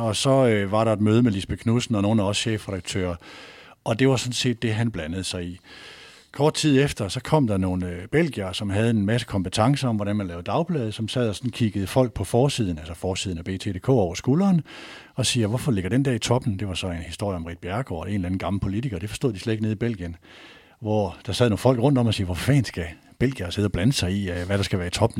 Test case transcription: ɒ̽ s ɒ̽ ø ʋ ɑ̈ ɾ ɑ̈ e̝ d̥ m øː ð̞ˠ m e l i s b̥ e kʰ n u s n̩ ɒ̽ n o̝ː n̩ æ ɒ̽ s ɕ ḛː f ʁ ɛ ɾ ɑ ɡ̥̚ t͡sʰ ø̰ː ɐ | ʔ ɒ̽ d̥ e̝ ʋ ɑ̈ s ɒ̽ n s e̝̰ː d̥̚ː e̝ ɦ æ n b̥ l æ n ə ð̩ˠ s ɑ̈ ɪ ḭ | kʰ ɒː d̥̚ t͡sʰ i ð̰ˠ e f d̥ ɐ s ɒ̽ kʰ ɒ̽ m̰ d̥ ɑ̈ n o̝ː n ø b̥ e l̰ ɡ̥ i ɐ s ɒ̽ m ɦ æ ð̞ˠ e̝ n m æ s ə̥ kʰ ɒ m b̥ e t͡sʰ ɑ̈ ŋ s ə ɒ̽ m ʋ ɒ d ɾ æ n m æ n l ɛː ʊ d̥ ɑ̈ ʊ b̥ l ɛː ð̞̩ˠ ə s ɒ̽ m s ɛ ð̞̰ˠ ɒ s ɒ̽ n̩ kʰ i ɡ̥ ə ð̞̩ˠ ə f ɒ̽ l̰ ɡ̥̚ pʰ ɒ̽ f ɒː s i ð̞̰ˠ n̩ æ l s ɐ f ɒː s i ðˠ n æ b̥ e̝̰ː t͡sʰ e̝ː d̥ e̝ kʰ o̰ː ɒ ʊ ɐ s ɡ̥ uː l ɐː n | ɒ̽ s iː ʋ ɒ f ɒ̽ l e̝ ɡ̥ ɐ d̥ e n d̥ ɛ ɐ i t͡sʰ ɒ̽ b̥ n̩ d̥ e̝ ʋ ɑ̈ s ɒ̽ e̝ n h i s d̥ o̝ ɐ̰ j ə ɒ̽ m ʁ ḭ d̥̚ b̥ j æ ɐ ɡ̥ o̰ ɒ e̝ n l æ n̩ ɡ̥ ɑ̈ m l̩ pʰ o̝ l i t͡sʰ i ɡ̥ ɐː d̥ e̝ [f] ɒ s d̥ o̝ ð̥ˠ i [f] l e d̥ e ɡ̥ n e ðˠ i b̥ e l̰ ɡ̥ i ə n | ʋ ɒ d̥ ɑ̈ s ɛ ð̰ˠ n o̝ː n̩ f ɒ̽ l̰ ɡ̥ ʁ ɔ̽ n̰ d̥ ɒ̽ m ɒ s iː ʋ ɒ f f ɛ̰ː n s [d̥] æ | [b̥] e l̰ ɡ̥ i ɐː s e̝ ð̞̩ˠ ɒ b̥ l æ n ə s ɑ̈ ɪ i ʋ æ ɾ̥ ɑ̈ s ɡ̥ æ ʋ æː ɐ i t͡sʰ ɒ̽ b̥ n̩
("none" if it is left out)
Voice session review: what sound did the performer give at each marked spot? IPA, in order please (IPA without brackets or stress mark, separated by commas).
f, s, ɡ̥, b̥